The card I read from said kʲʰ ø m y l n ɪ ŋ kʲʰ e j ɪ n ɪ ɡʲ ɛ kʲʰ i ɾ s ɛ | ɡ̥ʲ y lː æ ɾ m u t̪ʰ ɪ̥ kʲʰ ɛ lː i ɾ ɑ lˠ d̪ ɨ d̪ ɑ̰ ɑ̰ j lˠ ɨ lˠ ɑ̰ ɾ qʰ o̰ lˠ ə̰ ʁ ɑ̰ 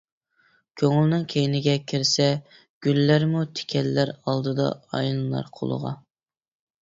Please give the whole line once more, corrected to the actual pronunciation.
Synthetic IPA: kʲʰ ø ŋ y l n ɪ ŋ kʲʰ e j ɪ n ɪ ɡʲ ɛ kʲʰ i ɾ s ɛ | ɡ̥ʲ y lː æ ɾ m u t̪ʰ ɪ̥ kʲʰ ɛ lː æ ɾ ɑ lˠ d̪ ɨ d̪ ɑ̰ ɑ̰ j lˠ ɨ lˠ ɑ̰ ɾ qʰ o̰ lˠ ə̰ ʁ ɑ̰